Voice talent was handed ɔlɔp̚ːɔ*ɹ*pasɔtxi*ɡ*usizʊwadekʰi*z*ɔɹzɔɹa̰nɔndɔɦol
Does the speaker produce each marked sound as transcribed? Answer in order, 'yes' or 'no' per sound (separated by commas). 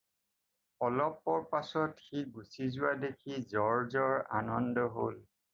yes, yes, yes